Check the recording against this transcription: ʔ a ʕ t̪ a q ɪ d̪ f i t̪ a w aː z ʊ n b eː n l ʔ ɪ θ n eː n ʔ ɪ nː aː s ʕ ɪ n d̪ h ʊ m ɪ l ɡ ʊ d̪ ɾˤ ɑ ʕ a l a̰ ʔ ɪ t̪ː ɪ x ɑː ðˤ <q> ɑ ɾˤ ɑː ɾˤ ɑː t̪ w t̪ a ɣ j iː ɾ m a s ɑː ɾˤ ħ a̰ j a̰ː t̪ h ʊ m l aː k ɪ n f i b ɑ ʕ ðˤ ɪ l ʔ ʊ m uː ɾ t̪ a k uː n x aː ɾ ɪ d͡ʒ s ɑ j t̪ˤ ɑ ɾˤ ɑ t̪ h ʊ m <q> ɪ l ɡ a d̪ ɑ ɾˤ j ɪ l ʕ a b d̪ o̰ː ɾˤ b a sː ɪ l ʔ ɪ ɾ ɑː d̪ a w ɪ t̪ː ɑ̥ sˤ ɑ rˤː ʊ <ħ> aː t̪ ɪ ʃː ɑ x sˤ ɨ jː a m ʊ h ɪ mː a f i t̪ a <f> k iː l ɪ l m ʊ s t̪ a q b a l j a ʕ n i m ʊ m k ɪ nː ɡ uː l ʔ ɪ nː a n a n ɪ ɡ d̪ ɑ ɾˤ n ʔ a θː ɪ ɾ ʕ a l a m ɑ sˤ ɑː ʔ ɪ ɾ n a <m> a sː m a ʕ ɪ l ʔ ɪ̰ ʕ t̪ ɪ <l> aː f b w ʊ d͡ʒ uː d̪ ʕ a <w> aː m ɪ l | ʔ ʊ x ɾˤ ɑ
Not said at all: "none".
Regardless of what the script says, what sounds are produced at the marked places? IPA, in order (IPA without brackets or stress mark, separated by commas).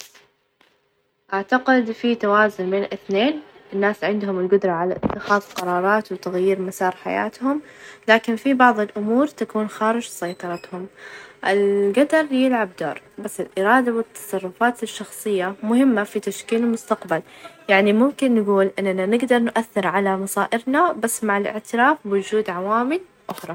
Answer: q, ʔ, f, ʃ, b, ɾ, w